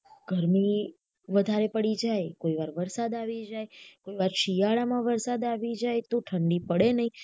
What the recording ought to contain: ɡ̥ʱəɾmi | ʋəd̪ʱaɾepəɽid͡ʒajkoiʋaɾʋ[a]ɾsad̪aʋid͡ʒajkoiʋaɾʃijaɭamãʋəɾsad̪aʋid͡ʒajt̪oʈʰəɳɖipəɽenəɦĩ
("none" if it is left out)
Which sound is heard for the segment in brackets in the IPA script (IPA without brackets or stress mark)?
ə